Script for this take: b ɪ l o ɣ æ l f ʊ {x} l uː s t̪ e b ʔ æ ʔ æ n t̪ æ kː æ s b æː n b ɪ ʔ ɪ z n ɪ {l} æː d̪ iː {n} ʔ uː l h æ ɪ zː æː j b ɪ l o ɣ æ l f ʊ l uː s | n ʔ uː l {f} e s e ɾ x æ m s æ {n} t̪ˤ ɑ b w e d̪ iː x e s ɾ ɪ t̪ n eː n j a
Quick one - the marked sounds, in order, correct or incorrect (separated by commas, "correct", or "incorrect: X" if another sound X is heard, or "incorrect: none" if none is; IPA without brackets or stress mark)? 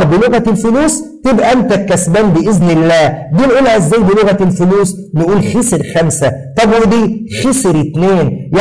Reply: incorrect: none, incorrect: lː, correct, incorrect: x, incorrect: none